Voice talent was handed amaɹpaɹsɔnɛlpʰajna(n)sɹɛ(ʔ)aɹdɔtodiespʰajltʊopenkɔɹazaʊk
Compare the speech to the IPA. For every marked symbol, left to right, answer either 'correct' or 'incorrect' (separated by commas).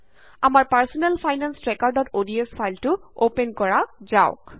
correct, incorrect